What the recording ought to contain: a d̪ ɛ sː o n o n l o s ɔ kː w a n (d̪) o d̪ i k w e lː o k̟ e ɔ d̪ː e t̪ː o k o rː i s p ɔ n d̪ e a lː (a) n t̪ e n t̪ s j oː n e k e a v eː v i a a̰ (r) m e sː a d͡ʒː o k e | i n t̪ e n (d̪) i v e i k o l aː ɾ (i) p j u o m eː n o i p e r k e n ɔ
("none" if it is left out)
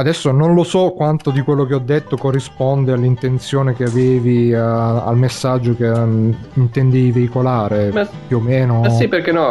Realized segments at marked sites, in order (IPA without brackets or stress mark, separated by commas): t̪, i, l, d̪, e